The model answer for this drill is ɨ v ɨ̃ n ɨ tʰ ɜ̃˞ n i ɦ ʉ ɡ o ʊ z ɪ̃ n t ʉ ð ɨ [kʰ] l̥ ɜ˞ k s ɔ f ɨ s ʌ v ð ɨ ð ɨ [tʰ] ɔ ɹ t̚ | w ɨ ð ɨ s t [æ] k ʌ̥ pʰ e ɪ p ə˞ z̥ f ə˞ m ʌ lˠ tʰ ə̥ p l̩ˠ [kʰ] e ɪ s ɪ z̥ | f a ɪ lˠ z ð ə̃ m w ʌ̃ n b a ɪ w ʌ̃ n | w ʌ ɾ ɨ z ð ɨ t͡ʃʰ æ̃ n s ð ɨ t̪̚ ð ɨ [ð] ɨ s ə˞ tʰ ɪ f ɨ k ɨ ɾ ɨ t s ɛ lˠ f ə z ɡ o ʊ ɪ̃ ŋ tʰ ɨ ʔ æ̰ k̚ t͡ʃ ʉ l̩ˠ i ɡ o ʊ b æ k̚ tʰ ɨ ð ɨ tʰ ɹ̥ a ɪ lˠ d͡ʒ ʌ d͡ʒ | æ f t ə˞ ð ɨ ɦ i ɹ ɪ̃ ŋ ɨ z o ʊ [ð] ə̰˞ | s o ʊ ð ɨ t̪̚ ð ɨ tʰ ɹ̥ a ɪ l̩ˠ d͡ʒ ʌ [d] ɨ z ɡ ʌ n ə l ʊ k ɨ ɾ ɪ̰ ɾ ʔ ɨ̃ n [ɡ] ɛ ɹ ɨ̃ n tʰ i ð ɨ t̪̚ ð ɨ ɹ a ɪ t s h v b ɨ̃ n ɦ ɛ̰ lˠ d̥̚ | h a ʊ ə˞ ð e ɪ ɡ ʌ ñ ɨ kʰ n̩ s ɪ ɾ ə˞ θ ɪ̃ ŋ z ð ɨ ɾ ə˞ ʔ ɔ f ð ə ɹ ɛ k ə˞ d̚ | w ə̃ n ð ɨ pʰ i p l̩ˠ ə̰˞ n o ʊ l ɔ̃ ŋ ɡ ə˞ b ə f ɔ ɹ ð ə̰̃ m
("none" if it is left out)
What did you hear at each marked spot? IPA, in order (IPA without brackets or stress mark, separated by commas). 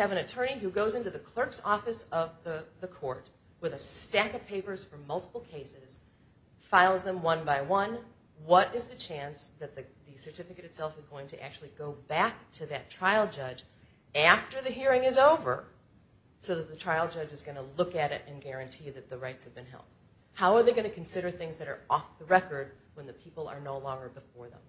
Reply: kʰ, kʰ, æ, kʰ, ð, v, d͡ʒ, ɡ